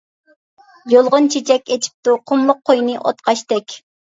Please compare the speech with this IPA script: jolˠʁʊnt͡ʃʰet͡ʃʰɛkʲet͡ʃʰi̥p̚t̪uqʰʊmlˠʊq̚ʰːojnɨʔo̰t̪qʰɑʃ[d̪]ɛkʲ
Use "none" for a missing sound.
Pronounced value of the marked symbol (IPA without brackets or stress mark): t̪